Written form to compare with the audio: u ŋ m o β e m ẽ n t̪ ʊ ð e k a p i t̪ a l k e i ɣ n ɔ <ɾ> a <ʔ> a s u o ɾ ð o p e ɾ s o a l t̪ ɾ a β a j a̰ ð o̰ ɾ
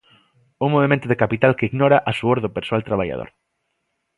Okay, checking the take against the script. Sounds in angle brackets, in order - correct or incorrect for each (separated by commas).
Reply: correct, correct